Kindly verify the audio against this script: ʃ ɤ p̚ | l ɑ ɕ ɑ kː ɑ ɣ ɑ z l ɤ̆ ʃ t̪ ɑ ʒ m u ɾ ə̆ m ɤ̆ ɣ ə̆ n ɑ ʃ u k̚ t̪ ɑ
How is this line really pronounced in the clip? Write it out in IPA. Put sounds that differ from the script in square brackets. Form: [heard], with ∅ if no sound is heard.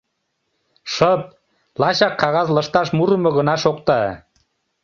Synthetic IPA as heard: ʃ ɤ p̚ | l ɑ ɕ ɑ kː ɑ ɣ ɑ z l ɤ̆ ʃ t̪ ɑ [ʃ] m u ɾ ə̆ m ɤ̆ ɣ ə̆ n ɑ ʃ [o] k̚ t̪ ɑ